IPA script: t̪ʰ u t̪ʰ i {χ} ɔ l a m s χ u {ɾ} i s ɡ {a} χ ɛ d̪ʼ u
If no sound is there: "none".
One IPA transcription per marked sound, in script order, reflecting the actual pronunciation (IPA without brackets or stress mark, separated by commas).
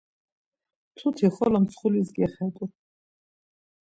χ, l, ɛ